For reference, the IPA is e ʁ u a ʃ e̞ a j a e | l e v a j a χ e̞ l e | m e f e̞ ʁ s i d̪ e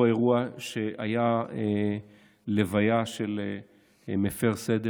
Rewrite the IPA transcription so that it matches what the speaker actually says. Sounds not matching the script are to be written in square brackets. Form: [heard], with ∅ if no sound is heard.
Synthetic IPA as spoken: e ʁ u a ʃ e̞ a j a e | l e v a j a [ʃ] e̞ l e | m e f e̞ ʁ s [e] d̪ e